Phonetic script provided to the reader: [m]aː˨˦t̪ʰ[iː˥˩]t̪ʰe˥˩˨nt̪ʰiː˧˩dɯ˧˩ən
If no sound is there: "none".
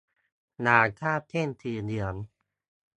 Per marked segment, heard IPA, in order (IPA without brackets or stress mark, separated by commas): n, aː˥˩